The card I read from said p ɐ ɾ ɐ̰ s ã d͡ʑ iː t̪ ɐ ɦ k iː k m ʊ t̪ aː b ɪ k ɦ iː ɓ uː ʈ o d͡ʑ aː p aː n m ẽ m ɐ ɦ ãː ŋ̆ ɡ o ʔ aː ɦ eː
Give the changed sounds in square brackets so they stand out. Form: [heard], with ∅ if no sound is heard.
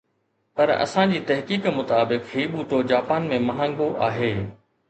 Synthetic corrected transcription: p ɐ ɾ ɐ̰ s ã d͡ʑ iː t̪ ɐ ɦ k iː k m ʊ t̪ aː b ɪ k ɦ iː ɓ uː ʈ o d͡ʑ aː p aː n m ẽ m ɐ ɦ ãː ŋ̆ ɡ o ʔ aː ɦ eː